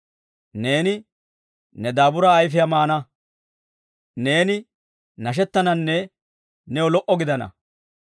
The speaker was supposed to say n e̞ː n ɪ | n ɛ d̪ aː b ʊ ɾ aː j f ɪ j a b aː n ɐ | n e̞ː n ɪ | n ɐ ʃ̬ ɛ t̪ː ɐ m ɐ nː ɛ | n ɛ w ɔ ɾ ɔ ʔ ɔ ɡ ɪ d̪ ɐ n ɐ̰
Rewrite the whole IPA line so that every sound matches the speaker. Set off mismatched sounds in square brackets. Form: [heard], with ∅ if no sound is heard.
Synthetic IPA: n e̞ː n ɪ | n ɛ d̪ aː b ʊ ɾ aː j f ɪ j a [m] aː n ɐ | n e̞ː n ɪ | n ɐ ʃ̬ ɛ t̪ː ɐ [n] ɐ nː ɛ | n ɛ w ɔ [l] ɔ ʔ ɔ ɡ ɪ d̪ ɐ n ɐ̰